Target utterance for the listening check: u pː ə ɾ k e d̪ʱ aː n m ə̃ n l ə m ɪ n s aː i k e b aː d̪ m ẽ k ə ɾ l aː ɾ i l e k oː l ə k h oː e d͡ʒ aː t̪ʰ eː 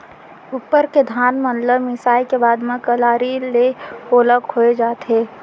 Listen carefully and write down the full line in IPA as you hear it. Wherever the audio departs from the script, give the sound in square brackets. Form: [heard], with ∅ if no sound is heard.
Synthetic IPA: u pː ə ɾ k e d̪ʱ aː n m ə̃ n l ə m ɪ [∅] s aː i k e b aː d̪ m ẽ k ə [∅] l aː ɾ i l e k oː l ə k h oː e d͡ʒ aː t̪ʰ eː